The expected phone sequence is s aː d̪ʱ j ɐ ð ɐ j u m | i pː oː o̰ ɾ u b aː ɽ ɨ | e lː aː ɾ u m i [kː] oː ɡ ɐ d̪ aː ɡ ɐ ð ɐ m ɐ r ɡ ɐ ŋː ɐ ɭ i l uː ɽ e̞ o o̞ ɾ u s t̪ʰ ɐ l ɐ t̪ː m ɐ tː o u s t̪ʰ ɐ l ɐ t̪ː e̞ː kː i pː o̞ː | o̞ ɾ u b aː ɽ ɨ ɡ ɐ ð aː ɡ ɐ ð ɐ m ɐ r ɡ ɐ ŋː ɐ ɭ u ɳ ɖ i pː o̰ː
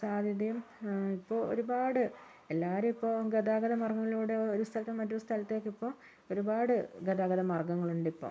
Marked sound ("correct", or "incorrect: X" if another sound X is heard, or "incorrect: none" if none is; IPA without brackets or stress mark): incorrect: pː